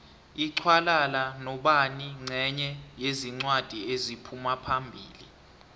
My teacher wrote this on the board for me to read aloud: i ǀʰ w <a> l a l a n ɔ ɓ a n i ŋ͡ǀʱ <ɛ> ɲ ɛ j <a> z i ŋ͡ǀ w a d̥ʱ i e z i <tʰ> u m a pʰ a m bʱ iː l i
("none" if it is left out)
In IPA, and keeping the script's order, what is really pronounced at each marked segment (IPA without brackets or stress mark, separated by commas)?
a, ɛ, e, pʰ